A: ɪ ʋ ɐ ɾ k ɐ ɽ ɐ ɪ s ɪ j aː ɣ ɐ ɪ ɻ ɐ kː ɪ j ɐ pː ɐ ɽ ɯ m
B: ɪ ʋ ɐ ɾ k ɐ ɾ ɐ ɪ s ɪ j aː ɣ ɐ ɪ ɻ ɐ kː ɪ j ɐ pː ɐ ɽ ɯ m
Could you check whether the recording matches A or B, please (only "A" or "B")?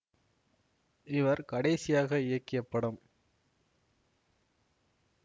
A